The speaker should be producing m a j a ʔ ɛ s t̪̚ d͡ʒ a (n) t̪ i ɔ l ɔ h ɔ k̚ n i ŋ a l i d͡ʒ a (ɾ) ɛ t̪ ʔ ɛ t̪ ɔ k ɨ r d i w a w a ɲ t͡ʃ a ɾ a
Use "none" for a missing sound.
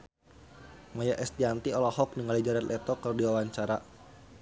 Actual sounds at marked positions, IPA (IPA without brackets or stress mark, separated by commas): n, ɾ